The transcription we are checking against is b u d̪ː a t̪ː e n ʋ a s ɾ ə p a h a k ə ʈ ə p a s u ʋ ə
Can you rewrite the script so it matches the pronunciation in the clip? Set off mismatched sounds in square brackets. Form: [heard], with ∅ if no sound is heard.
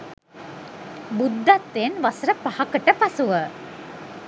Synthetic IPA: b u d̪ː a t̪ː e n ʋ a s ɾ ə p a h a k ə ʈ ə p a s u ʋ ə